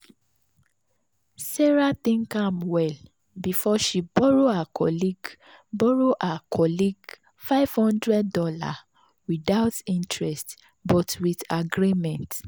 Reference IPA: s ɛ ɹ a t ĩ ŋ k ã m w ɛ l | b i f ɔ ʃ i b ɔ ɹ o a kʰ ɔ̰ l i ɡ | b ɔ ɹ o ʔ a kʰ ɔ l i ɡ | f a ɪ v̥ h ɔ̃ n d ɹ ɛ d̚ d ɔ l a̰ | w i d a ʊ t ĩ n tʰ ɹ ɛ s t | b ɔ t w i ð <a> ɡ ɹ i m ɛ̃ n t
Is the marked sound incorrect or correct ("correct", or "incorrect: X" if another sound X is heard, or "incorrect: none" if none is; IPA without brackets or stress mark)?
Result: correct